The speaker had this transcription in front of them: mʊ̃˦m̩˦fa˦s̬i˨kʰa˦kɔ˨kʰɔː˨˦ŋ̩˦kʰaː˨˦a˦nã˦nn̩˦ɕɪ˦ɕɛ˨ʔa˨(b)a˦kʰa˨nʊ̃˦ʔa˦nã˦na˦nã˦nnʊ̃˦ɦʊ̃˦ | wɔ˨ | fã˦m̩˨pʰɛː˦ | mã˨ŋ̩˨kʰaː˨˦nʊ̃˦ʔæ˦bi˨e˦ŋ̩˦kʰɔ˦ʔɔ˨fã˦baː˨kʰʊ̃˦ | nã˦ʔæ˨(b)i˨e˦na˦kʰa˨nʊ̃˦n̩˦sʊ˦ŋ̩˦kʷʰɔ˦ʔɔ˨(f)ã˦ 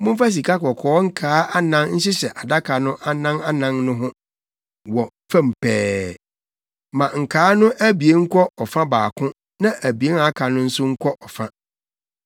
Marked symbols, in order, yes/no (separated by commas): no, yes, yes